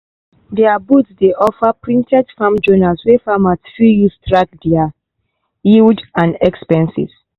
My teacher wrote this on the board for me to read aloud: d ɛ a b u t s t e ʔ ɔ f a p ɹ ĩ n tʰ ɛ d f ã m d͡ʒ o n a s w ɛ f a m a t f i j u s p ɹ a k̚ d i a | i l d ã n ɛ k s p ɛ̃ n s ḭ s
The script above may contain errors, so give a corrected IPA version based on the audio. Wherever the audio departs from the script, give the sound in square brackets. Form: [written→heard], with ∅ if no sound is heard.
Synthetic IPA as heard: d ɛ a b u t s [t→d] e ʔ ɔ f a p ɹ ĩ n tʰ ɛ d f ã m d͡ʒ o n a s w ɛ f a m a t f i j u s [p→t] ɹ a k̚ d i a | i l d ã n ɛ k s p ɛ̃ n s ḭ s